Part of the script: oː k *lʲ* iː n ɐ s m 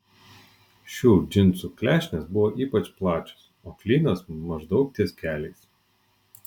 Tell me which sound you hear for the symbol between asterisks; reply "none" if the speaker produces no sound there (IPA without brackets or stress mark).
lʲ